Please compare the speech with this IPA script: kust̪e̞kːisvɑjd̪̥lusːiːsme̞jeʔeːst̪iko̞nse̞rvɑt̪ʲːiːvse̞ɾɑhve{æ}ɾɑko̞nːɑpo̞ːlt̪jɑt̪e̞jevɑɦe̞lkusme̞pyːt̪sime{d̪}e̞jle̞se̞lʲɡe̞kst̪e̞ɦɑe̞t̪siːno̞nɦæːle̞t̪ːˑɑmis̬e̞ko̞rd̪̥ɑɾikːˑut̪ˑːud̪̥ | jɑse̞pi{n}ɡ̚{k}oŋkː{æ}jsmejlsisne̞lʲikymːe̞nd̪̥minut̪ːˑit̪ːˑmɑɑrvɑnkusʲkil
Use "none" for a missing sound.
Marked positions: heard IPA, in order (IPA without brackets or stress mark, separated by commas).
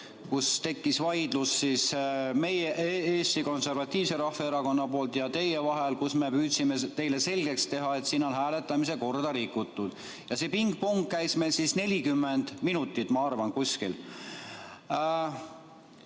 e, t̪, ŋ, p, æ